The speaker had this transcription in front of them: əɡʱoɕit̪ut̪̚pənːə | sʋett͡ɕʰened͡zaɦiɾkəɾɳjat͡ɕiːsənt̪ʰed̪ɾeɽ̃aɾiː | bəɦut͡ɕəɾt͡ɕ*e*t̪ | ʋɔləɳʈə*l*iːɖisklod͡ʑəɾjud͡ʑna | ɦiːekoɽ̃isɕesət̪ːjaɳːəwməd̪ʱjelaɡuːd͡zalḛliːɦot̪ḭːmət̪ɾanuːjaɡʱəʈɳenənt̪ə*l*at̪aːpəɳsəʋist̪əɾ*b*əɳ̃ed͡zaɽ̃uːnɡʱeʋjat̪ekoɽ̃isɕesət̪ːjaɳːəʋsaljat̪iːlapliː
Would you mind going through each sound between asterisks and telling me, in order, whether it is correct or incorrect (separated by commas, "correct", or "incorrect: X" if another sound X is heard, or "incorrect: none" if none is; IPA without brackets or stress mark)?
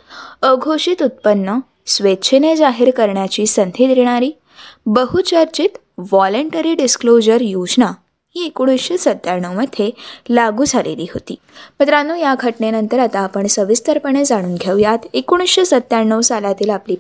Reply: incorrect: i, incorrect: ɾ, incorrect: ɾ, incorrect: p